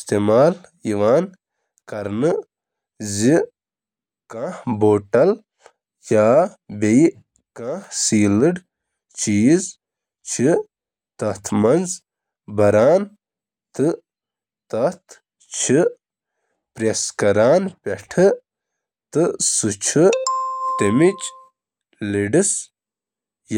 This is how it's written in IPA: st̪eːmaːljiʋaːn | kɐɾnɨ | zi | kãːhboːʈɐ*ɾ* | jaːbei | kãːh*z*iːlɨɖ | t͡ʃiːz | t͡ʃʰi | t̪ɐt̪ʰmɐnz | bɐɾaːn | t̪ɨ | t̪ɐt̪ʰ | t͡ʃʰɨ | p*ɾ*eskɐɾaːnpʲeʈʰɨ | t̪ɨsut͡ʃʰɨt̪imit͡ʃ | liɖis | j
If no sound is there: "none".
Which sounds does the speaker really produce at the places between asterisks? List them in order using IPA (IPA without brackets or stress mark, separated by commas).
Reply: l, s, ɾ